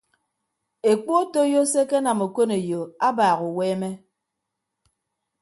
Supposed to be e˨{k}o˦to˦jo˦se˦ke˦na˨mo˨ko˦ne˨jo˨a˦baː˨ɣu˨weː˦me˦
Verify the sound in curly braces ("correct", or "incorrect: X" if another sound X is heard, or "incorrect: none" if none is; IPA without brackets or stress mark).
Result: incorrect: k͡p